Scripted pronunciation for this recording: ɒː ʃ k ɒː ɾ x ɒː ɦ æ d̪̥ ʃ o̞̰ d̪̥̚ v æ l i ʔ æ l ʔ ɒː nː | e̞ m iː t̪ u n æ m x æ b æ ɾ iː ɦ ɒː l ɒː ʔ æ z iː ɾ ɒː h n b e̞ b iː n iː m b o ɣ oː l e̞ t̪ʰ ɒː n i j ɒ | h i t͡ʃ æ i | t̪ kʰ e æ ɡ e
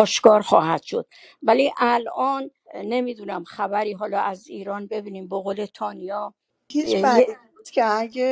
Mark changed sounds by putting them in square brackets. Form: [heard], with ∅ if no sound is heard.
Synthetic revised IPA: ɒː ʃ k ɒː ɾ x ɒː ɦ æ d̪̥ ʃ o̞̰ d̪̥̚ v æ l i ʔ æ l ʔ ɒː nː | e̞ m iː [d̪] u n æ m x æ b æ ɾ iː ɦ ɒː l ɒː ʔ æ z iː ɾ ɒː [∅] n b e̞ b iː n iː m b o ɣ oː l e̞ t̪ʰ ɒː n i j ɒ | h i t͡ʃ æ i | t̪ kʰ e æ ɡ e